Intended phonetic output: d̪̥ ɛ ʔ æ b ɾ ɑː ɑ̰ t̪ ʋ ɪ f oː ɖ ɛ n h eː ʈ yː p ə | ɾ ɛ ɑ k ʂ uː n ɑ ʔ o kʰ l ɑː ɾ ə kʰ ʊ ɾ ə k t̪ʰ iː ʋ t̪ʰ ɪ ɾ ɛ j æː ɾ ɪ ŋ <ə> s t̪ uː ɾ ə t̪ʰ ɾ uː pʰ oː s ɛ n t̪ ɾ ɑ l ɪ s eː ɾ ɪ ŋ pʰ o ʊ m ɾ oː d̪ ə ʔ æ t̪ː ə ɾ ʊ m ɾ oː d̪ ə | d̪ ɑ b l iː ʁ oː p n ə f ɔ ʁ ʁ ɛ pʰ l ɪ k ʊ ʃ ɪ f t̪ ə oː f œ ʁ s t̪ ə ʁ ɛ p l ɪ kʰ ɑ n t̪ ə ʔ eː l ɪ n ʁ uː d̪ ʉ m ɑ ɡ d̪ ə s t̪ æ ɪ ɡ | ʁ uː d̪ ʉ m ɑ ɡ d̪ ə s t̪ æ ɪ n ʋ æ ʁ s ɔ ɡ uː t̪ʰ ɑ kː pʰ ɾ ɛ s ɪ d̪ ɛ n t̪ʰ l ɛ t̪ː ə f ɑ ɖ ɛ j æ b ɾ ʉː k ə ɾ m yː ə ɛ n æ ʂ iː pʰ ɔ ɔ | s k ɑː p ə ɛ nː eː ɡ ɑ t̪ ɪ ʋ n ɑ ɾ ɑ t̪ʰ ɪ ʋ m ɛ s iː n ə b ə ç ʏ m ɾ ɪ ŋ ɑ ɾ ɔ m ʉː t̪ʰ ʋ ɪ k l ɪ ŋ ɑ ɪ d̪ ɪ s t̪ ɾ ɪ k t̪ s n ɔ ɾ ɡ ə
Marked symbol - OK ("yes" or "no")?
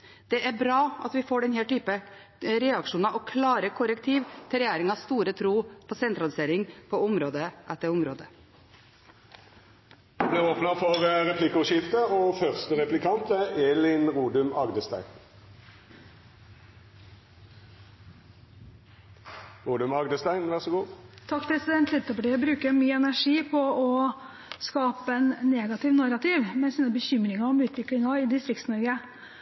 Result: no